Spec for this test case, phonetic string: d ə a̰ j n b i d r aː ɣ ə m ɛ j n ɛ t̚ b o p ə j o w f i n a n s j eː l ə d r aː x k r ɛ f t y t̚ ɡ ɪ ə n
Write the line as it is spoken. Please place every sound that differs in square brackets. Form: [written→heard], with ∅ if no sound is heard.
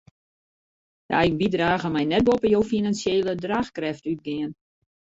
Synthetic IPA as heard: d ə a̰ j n b i d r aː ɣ ə m ɛ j n ɛ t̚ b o p ə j o w f i n a n s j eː l ə d r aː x k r ɛ f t y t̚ ɡ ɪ ə n